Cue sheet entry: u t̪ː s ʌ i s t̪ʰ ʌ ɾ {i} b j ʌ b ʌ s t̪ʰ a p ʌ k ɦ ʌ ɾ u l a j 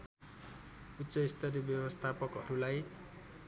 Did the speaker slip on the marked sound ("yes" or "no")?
no